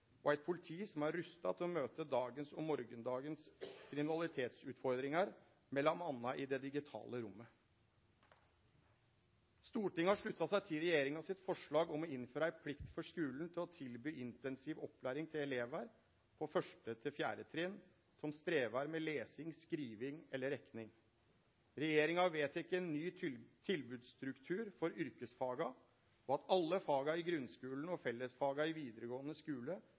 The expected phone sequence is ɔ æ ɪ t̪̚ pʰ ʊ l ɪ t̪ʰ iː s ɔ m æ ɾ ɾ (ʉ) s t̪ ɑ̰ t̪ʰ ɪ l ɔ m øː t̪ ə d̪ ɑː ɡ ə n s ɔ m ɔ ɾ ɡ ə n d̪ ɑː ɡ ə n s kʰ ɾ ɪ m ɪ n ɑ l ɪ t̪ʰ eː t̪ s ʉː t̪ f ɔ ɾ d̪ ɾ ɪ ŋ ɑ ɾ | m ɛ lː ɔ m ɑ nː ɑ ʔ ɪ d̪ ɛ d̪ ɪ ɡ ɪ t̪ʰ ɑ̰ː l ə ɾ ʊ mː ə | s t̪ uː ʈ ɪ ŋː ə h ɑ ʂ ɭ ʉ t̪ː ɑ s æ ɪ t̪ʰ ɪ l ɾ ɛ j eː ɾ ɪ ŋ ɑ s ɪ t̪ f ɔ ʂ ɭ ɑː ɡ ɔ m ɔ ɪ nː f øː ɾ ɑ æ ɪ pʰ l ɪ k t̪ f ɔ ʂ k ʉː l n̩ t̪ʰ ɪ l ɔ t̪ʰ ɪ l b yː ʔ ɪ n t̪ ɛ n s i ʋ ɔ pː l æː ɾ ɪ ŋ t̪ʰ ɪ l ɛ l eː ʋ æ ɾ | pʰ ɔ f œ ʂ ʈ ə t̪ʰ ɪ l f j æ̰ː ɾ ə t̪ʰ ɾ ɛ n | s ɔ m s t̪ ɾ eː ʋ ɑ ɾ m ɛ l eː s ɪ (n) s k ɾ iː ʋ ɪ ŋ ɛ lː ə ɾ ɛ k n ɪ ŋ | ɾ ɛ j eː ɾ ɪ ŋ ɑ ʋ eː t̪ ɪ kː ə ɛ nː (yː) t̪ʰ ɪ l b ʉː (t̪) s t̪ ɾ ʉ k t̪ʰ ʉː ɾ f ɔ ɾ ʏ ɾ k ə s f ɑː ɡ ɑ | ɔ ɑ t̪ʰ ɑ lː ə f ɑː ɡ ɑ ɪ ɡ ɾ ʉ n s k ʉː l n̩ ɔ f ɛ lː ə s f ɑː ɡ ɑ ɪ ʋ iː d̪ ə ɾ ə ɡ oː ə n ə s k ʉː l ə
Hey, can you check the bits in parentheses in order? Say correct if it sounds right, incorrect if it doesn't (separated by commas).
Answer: correct, incorrect, correct, incorrect